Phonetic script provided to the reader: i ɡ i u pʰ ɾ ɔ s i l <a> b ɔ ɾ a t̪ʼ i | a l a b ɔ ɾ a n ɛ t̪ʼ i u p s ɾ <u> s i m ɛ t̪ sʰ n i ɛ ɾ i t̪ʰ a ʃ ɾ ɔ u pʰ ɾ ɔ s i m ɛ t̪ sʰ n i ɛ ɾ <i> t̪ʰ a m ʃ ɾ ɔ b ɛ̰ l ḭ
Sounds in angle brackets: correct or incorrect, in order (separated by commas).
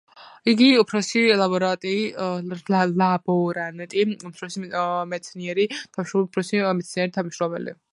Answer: correct, incorrect, correct